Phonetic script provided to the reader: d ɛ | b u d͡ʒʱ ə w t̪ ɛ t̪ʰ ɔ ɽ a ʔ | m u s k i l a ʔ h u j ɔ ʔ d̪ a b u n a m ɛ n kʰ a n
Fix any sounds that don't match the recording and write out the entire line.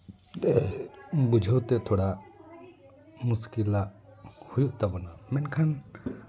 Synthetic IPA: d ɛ | b u d͡ʒʱ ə w t̪ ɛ t̪ʰ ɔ ɽ a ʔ | m u s k i l a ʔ h u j u ʔ t̪ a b ɔ n a m ɛ n kʰ a n